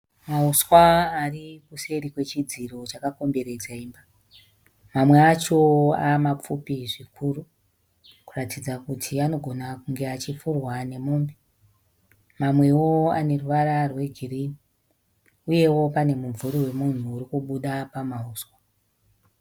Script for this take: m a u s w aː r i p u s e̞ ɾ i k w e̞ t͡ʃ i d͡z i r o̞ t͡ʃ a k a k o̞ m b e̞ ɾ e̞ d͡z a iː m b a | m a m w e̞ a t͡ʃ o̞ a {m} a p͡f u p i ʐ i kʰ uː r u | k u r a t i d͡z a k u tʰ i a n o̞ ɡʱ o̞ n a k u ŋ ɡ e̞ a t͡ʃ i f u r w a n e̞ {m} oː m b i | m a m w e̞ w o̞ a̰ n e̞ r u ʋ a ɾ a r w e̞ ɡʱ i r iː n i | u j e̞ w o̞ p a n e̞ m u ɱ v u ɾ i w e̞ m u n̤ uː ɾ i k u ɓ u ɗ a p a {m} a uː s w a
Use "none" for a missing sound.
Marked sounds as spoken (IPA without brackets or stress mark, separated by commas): m, m, m